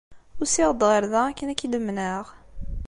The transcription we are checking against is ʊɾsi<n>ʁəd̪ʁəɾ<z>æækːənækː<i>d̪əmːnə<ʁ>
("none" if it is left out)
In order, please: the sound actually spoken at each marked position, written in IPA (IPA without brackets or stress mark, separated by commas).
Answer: none, ð, i, ʁ